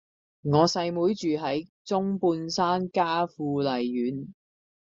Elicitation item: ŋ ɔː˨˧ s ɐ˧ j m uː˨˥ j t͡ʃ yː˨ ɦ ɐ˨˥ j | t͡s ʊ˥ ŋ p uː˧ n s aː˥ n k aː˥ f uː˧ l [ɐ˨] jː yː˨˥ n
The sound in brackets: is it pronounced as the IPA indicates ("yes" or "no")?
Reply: yes